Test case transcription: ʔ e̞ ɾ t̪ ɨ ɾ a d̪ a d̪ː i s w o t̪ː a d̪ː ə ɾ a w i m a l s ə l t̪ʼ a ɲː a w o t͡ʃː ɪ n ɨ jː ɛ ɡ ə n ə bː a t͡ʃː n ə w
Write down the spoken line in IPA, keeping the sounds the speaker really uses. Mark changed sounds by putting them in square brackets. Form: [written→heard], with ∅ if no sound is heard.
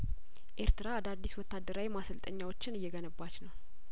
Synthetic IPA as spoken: ʔ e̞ ɾ t̪ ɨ ɾ a d̪ a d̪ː i s w [o→ɔ] t̪ː a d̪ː ə ɾ a w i m a [l→∅] s ə l t̪ʼ [a→ə] ɲː a w o t͡ʃː ɪ n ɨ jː ɛ ɡ ə n ə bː a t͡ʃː n ə w